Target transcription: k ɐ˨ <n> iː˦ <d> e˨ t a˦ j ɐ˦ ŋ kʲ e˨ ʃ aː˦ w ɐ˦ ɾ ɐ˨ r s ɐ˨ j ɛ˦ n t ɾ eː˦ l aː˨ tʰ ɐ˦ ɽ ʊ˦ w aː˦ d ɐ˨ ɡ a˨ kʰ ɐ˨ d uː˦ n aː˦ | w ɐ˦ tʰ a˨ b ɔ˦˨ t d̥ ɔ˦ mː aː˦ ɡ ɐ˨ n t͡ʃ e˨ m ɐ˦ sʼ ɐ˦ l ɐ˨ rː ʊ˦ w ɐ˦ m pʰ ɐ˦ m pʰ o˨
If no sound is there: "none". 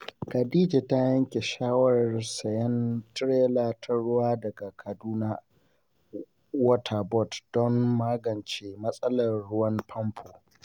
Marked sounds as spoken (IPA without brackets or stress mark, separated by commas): d, d͡ʒ